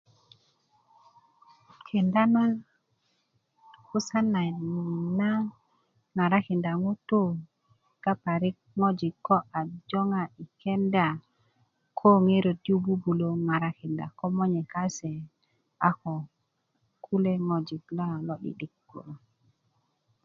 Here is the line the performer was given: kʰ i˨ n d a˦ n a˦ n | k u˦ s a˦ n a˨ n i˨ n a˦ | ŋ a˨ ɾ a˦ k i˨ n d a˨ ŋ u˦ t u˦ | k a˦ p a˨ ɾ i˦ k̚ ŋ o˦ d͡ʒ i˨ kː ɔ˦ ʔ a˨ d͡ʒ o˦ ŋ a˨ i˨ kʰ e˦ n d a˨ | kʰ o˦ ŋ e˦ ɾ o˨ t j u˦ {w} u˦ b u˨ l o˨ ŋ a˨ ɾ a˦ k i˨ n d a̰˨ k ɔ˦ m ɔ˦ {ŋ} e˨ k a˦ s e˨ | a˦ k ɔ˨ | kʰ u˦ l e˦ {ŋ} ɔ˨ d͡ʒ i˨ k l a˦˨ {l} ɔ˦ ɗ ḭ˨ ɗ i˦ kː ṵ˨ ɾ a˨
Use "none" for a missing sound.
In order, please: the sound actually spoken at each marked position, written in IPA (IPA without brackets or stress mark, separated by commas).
b, ɲ, ŋ, l